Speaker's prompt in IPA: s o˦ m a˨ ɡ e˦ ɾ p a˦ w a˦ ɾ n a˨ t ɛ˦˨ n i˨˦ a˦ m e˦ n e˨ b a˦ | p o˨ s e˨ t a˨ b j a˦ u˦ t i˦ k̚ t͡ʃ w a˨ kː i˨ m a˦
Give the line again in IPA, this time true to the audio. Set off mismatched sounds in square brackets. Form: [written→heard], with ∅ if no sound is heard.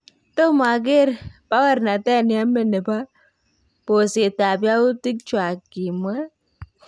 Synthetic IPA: [s→t] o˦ m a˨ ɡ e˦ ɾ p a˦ w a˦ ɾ n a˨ t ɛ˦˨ n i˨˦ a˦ m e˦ n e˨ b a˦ | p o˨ s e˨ t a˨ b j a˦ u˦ t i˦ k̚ t͡ʃ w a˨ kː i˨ m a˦